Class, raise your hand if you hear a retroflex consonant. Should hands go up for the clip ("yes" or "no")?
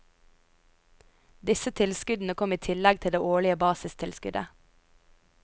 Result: yes